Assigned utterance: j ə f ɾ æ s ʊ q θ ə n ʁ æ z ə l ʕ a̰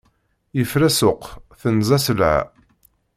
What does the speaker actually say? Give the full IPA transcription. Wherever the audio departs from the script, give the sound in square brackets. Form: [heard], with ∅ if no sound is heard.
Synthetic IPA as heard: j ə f ɾ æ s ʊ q θ ə n [z] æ [s] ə l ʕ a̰